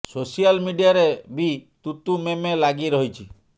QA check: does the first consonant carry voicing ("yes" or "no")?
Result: no